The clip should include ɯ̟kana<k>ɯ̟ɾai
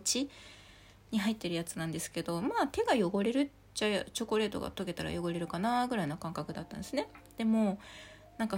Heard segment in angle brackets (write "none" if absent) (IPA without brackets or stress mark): ɡ